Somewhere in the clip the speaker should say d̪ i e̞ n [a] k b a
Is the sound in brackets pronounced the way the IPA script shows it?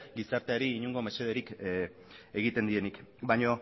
no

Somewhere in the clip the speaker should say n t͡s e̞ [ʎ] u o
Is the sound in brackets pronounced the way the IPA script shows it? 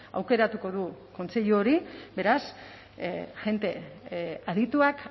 yes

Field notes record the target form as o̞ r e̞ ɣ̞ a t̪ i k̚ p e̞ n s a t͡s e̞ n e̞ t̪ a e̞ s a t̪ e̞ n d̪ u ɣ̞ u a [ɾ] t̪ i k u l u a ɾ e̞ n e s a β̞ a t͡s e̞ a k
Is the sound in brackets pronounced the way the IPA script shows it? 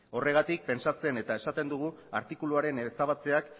yes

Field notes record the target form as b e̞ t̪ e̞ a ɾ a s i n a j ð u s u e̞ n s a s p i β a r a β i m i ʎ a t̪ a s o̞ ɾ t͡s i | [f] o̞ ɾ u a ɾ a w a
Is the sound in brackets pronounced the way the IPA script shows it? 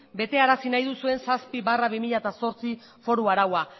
yes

